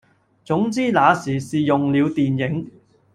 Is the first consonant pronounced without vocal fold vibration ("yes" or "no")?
yes